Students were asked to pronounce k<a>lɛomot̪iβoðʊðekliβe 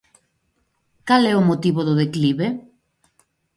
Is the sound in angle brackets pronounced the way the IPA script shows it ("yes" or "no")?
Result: yes